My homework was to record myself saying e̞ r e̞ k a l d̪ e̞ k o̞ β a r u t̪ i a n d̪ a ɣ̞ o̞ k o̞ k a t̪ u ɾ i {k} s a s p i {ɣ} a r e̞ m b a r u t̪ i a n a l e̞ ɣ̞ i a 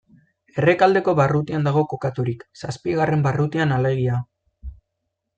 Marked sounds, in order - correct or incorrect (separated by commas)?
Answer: correct, correct